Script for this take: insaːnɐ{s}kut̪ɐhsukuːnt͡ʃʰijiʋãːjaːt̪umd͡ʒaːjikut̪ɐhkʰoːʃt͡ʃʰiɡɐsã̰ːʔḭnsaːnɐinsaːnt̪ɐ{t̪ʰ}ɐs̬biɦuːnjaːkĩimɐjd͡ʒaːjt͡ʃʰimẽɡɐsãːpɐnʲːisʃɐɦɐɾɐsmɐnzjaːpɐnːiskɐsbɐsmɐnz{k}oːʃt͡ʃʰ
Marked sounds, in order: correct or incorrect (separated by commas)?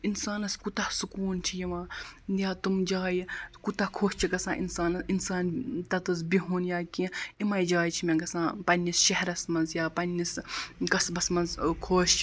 correct, incorrect, incorrect